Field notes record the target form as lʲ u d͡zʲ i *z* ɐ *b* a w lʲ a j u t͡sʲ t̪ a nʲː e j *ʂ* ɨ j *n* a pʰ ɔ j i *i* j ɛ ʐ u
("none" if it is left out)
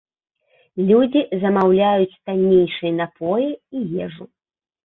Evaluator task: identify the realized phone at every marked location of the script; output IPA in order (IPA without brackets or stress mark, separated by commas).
z, m, ʂ, n, i